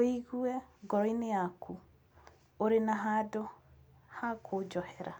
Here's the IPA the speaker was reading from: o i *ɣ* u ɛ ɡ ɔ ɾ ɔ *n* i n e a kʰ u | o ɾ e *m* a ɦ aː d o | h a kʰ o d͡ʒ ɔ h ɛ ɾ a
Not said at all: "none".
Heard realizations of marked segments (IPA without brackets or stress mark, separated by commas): ɣ, none, n